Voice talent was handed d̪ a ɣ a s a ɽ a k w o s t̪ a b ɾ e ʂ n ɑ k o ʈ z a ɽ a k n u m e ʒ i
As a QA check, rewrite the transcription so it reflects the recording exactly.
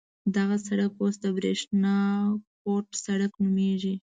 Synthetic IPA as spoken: d̪ a ɣ a s a ɽ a k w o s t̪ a b ɾ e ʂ n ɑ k o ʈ s a ɽ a k n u m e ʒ i

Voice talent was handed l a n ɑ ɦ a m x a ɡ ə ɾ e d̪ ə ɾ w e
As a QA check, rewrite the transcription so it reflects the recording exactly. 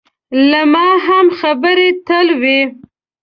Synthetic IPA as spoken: l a m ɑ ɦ a m x a b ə ɾ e t̪ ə l w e

